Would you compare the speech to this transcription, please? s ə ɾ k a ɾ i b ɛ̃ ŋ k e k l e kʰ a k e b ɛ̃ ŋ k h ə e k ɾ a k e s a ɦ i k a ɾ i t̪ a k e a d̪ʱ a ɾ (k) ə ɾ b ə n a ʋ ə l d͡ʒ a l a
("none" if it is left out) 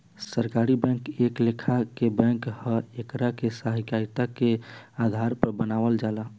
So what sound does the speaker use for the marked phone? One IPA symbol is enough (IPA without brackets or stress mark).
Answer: p